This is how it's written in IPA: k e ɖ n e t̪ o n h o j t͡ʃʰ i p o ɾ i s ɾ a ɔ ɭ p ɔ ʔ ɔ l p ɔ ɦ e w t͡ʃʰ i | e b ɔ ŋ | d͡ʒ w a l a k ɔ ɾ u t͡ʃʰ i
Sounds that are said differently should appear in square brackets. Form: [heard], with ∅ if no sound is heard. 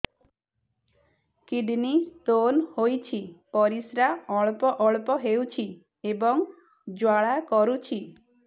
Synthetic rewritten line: k [i] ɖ n [i] t̪ o n h o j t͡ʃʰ i p [ɔ] ɾ i s ɾ a ɔ ɭ p ɔ ʔ ɔ [ɭ] p ɔ ɦ e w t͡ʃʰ i | e b ɔ ŋ | d͡ʒ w a [ɭ] a k ɔ ɾ u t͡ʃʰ i

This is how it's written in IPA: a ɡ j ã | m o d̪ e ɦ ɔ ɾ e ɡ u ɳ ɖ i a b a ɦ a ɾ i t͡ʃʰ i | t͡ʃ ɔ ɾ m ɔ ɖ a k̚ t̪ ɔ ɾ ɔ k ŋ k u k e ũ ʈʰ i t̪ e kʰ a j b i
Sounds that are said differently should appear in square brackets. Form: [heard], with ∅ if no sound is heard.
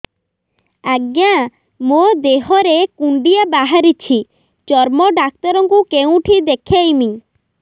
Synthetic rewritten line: a ɡ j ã | m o d̪ e ɦ ɔ ɾ e [k] u ɳ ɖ i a b a ɦ a ɾ i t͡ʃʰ i | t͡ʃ ɔ ɾ m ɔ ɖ a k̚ t̪ ɔ ɾ ɔ [∅] ŋ k u k e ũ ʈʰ i [d̪] e kʰ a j [m] i

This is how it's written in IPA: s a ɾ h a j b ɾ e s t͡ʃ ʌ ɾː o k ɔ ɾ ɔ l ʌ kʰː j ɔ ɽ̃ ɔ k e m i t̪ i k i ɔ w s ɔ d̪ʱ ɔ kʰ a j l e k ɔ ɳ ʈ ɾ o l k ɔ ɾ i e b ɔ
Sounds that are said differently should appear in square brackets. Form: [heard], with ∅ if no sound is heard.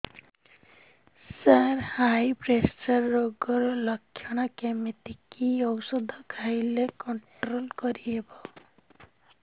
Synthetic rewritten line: s a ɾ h a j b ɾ e s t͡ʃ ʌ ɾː o [ɡ] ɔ ɾ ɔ l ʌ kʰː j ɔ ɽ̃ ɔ k e m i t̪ i k i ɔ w s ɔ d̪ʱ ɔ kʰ a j l e k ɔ ɳ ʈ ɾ o l k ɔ ɾ i e b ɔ

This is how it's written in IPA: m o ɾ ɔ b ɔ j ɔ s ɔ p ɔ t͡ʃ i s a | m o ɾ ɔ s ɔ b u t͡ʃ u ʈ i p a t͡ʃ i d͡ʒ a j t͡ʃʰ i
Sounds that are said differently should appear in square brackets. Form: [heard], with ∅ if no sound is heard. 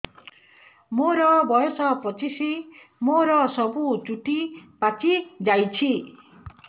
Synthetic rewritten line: m o ɾ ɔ b ɔ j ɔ s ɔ p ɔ t͡ʃ i s [i] | m o ɾ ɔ s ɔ b u t͡ʃ u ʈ i p a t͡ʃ i d͡ʒ a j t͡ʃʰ i

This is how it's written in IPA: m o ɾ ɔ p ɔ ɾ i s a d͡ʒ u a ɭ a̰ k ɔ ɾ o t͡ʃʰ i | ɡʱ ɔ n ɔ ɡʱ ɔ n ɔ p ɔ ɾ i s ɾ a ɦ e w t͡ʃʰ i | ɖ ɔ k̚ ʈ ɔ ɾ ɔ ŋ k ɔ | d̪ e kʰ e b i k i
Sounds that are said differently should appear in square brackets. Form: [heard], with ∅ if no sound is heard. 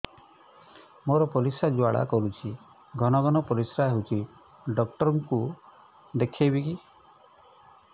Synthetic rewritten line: m o ɾ ɔ p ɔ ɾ i s a d͡ʒ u a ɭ a̰ k ɔ ɾ [u] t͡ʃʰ i | ɡʱ ɔ n ɔ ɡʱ ɔ n ɔ p ɔ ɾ i s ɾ a ɦ e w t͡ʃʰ i | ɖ ɔ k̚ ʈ ɔ ɾ ɔ ŋ k [u] | d̪ e kʰ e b i k i

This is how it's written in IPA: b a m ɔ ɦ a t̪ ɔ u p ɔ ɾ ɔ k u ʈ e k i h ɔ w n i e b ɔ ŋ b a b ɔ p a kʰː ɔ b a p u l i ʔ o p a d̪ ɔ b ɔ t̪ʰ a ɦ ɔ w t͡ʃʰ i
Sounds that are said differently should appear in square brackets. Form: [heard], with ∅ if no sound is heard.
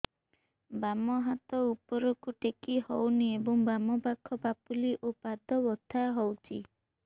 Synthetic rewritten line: b a m ɔ ɦ a t̪ ɔ u p ɔ ɾ ɔ k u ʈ e k i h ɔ w n i e b ɔ ŋ b a [m] ɔ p a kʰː ɔ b a p u l i ʔ o p a d̪ ɔ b ɔ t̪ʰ a ɦ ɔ w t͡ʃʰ i

